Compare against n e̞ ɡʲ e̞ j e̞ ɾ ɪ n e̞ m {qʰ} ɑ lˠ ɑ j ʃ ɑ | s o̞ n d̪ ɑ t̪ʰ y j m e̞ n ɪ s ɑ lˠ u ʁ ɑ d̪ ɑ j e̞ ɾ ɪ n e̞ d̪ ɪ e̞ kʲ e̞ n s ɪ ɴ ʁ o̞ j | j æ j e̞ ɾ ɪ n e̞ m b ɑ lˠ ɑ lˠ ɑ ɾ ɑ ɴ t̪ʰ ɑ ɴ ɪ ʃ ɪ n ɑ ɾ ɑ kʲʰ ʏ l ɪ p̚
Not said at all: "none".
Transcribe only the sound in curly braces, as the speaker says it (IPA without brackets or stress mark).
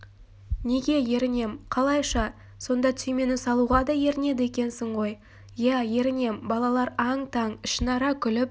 qʰ